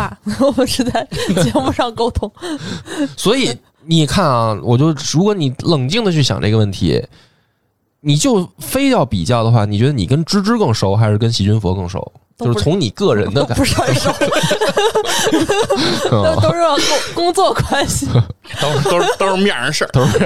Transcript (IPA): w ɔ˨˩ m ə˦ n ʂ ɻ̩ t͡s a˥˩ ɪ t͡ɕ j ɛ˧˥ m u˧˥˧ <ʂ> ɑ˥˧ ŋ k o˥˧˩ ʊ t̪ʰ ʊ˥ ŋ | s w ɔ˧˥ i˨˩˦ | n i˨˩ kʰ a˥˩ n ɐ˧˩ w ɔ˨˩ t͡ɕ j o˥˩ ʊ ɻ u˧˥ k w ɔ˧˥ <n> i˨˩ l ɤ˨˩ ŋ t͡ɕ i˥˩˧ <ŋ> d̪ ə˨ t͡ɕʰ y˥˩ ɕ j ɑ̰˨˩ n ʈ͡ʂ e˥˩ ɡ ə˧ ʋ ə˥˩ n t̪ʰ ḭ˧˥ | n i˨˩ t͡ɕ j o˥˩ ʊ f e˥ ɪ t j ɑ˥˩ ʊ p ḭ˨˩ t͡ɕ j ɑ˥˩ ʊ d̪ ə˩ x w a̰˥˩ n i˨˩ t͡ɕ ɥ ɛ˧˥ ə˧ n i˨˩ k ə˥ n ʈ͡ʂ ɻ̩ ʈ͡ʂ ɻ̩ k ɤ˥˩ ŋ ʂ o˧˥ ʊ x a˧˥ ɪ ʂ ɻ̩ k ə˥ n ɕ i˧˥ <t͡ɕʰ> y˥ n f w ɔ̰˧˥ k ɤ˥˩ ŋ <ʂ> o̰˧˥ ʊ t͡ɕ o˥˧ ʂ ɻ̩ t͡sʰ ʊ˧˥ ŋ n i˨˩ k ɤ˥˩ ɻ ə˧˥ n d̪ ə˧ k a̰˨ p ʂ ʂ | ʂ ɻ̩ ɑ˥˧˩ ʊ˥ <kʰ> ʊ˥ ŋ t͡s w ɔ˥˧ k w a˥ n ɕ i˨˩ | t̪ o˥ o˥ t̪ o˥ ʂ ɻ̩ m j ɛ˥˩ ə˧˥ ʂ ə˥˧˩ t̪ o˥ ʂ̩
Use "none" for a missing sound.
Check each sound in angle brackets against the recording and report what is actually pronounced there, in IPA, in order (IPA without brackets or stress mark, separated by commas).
ʂ, n, ŋ, t͡ɕ, ʂ, k